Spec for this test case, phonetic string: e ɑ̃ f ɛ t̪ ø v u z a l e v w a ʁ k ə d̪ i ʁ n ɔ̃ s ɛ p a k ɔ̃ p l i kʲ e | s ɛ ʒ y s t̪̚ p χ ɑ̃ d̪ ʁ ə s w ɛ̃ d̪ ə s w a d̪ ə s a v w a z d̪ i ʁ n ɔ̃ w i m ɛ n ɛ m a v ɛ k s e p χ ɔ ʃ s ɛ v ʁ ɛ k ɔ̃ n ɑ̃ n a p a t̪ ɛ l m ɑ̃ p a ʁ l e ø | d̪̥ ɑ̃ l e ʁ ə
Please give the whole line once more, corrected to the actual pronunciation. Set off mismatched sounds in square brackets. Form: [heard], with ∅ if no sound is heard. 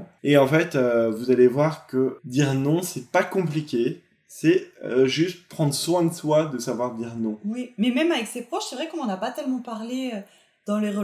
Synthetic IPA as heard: e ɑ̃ f ɛ t̪ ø v u z a l e v w a ʁ k ə d̪ i ʁ n ɔ̃ s ɛ p a k ɔ̃ p l i kʲ e | s ɛ ʒ y s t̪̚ p χ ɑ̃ d̪ ʁ ə s w ɛ̃ d̪ ə s w a d̪ ə s a v w a [ʁ] d̪ i ʁ n ɔ̃ w i m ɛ [m] ɛ m a v ɛ k s e p χ ɔ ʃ s ɛ v ʁ ɛ k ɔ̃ n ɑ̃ n a p a t̪ ɛ l m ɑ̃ p a ʁ l e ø | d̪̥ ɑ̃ l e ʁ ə